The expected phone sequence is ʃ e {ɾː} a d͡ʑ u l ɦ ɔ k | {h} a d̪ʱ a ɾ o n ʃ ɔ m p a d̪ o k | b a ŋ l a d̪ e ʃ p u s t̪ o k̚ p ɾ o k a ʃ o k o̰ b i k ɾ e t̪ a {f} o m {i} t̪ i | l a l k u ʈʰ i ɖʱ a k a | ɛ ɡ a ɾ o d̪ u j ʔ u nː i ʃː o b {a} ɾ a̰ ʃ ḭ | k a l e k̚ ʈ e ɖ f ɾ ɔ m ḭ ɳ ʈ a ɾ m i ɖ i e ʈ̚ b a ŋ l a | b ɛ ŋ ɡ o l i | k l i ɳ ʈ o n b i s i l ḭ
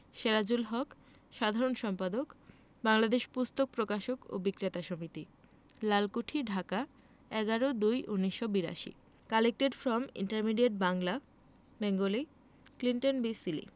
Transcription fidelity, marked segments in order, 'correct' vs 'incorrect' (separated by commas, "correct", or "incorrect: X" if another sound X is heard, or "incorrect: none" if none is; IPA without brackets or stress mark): incorrect: ɾ, incorrect: ʃ, incorrect: ʃ, correct, incorrect: i